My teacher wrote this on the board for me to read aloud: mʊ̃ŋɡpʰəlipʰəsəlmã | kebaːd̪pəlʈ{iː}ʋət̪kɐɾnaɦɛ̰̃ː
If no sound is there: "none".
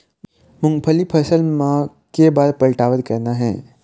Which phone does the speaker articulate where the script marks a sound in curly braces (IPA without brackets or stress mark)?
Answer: aː